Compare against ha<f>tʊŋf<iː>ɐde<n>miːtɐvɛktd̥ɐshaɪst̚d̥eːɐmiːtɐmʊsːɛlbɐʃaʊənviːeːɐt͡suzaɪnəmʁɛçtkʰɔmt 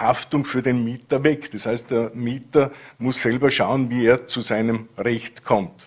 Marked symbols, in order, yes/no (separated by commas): yes, no, yes